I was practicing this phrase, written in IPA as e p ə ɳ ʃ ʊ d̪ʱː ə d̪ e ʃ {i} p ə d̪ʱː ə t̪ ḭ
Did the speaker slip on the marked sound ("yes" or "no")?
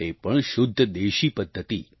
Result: no